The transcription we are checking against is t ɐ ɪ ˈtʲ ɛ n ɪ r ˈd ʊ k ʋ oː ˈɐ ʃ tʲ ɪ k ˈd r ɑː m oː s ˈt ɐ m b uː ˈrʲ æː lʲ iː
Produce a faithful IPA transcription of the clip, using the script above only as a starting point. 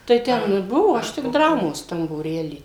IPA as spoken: t ɐ ɪ ˈtʲ ɛ n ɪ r ˈb ʊ ʋ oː ˈɐ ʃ tʲ ɪ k ˈd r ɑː m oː s ˈt ɐ m b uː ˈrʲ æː lʲ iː